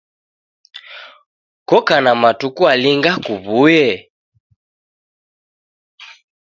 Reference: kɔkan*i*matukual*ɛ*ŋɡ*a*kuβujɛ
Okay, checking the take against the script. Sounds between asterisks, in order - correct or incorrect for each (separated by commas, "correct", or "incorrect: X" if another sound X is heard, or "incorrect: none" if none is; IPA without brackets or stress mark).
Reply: incorrect: a, incorrect: i, correct